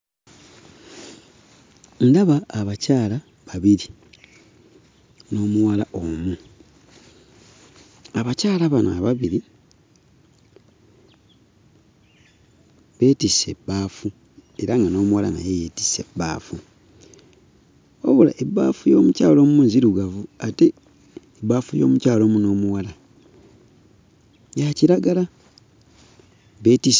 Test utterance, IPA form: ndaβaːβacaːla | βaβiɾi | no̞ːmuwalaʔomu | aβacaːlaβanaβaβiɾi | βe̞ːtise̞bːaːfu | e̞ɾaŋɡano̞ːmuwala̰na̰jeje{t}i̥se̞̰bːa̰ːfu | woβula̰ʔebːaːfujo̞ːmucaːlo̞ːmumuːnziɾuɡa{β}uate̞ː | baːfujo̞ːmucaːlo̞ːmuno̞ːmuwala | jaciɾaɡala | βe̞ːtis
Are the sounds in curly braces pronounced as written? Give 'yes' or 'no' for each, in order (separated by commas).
yes, no